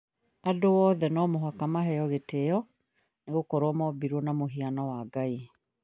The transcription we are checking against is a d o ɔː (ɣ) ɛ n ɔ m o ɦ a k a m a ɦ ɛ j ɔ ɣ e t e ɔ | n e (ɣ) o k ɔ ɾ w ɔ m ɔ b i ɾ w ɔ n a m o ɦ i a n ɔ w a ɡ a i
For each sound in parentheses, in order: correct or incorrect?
incorrect, correct

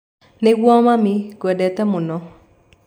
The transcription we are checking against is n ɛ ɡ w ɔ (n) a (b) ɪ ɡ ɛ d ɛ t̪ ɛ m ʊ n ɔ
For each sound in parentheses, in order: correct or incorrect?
incorrect, incorrect

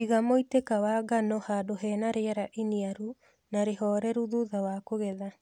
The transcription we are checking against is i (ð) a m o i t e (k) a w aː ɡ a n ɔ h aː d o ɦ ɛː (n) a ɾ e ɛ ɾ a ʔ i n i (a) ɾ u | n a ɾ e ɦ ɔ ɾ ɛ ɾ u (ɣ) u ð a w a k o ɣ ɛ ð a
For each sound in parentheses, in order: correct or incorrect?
incorrect, correct, correct, correct, incorrect

